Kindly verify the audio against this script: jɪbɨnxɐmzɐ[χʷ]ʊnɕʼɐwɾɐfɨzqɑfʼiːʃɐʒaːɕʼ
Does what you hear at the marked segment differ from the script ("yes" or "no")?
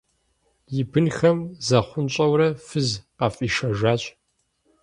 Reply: no